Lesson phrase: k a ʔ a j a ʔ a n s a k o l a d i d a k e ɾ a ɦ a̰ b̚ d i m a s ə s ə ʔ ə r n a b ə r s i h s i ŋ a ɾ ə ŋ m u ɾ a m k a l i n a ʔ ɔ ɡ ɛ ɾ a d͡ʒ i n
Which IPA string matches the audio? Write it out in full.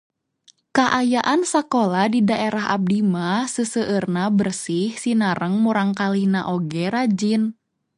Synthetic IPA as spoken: k a ʔ a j a ʔ a n s a k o l a d i d a ʔ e ɾ a ɦ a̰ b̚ d i m a s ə s ə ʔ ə r n a b ə r s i h s i n a ɾ ə ŋ m u ɾ a ŋ k a l i n a ʔ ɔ ɡ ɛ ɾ a d͡ʒ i n